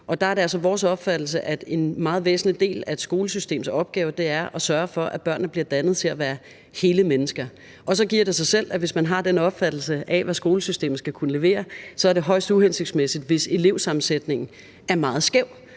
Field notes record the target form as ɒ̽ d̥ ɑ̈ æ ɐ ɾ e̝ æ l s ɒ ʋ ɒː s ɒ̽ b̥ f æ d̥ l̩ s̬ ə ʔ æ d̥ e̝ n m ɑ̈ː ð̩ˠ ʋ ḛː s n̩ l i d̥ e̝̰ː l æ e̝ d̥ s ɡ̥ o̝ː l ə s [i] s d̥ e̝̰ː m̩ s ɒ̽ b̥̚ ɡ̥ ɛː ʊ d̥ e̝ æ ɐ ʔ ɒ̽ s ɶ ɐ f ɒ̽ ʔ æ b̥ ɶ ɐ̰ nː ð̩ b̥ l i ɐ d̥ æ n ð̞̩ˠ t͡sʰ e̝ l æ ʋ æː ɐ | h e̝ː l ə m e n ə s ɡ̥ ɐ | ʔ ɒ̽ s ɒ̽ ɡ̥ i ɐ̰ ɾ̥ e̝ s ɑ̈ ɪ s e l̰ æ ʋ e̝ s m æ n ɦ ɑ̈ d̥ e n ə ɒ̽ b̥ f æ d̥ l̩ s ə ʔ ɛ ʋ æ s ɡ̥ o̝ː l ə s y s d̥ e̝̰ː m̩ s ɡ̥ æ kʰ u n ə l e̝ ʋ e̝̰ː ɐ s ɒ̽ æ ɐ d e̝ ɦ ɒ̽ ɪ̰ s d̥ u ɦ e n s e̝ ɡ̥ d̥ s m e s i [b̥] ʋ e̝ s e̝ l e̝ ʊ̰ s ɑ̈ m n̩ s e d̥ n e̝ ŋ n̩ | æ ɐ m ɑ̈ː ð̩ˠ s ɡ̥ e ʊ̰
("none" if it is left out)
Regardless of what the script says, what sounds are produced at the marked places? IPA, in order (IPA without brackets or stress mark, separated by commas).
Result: y, d̥